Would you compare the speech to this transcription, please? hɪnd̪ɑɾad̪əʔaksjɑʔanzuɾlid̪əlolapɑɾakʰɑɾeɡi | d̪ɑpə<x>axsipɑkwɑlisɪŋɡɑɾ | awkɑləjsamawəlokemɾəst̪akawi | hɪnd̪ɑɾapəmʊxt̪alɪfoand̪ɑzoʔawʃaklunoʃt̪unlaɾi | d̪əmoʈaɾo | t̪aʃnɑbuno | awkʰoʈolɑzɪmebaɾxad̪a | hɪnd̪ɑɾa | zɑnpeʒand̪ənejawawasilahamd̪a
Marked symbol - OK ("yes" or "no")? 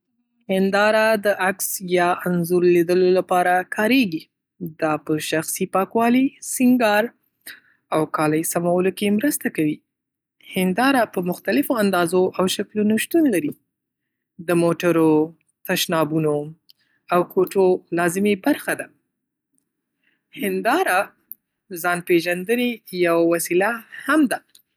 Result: no